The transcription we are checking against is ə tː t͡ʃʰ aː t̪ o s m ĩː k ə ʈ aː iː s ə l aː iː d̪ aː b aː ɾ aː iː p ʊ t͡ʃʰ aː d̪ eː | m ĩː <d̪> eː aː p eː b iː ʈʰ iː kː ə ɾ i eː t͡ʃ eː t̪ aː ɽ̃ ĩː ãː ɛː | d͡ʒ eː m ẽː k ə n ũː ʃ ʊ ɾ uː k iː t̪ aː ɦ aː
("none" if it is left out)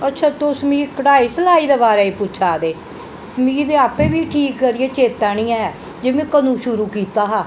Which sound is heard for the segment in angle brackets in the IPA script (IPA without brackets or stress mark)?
d̪